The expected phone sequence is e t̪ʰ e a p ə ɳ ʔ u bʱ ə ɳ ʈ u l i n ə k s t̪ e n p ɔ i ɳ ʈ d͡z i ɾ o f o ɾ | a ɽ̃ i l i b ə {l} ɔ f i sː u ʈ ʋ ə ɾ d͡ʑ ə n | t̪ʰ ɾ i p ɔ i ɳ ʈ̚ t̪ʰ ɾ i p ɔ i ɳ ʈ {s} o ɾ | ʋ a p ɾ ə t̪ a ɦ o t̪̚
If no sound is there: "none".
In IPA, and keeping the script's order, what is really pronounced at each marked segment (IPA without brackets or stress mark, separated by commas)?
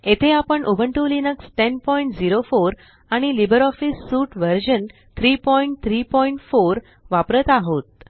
ɾ, f